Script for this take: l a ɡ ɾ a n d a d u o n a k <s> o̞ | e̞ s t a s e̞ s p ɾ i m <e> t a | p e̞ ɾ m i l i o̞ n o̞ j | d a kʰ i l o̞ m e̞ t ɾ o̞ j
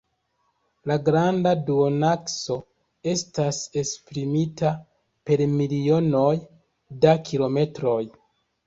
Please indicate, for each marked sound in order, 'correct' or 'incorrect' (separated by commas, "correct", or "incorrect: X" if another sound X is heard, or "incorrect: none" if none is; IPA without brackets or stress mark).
correct, incorrect: i